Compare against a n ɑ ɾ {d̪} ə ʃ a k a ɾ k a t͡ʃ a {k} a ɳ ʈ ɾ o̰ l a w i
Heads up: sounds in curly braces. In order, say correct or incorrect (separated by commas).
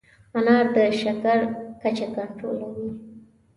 correct, correct